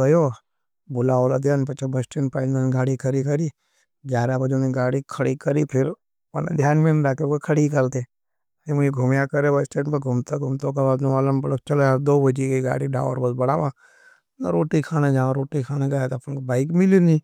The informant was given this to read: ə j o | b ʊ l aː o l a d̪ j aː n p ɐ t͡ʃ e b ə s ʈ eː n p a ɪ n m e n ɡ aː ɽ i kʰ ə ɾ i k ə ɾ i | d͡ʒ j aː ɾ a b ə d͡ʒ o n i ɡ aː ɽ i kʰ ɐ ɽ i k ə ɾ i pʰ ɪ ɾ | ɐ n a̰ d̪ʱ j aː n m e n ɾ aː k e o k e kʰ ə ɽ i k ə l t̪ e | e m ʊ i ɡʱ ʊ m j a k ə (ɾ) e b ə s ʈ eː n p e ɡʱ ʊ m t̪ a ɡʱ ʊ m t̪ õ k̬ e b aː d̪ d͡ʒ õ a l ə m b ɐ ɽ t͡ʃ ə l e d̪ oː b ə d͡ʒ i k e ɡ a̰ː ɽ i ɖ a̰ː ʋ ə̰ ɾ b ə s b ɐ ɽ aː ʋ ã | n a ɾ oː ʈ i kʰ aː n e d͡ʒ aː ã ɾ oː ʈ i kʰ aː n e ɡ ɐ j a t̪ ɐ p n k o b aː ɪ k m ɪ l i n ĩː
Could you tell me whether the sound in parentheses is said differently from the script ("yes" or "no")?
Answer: no